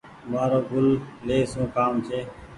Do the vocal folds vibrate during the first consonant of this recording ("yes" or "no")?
yes